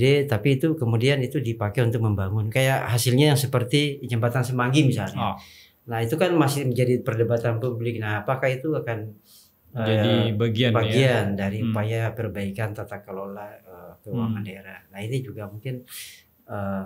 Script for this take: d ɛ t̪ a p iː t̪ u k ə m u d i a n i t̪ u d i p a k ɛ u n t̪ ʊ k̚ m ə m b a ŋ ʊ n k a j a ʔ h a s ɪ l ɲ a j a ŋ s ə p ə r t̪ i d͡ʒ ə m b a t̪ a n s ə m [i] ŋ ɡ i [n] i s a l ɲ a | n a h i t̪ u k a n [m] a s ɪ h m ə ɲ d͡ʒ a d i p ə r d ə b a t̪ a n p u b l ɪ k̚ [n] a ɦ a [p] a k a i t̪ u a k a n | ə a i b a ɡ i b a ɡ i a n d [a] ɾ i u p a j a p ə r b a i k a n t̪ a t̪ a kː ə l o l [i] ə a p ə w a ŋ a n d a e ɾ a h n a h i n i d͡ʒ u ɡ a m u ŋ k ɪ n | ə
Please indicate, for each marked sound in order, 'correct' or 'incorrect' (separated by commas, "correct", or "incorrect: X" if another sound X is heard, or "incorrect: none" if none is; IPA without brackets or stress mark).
incorrect: a, incorrect: m, correct, correct, correct, correct, incorrect: a